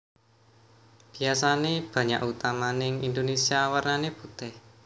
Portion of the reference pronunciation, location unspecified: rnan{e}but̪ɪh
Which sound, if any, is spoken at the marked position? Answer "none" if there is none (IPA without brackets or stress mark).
e